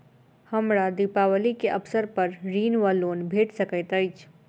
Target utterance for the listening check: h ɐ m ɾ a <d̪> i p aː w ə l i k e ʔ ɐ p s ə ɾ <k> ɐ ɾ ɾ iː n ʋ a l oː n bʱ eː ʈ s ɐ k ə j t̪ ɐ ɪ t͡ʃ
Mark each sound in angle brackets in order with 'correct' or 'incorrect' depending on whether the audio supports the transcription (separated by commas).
correct, incorrect